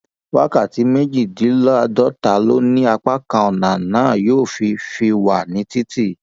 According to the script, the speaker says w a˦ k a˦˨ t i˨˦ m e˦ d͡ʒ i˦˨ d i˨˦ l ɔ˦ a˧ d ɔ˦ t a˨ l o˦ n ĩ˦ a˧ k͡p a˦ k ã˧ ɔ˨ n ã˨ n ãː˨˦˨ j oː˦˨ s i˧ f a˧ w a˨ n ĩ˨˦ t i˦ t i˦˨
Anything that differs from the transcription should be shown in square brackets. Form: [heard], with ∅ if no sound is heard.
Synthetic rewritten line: w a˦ k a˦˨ t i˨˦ m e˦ d͡ʒ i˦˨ d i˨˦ l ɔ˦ a˧ d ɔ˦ t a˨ l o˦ n ĩ˦ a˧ k͡p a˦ k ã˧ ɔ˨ n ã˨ n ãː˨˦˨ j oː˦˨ [f] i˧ f [i˧] w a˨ n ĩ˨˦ t i˦ t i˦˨